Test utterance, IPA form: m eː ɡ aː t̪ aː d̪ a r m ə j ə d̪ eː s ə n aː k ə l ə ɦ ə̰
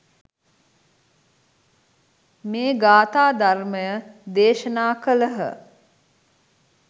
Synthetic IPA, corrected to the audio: m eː ɡ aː t̪ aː d̪ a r m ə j ə d̪ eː ʃ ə n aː k ə l ə ɦ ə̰